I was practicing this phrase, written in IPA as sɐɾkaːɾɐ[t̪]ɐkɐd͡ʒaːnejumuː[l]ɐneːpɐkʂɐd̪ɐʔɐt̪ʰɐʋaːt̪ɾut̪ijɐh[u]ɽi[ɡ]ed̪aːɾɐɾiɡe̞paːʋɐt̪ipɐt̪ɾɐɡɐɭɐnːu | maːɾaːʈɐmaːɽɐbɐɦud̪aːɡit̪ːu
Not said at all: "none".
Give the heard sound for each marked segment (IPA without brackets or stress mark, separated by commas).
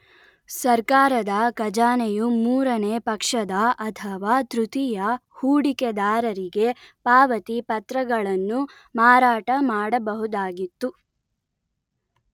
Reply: d̪, ɾ, uː, k